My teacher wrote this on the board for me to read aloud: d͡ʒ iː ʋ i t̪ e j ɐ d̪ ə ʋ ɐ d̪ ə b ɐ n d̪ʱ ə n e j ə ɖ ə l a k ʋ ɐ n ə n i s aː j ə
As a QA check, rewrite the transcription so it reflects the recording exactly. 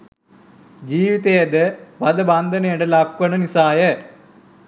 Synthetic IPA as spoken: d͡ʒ iː ʋ i t̪ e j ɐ d̪ ə ʋ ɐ d̪ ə b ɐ n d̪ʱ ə n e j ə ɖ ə l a k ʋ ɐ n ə n i s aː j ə